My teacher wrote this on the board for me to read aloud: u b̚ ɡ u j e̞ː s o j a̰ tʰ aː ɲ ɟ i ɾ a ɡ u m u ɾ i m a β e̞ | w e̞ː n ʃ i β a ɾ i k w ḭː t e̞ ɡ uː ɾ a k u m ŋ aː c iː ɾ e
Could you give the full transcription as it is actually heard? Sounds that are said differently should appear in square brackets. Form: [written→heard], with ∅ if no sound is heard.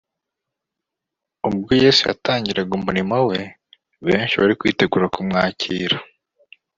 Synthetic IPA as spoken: u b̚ ɡ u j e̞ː s [o→u] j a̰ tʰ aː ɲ ɟ i ɾ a ɡ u m u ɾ i m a [β→w] e̞ | [w→β] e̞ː n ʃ i β a ɾ i k w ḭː t e̞ ɡ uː ɾ a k u m ŋ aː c iː ɾ [e→a]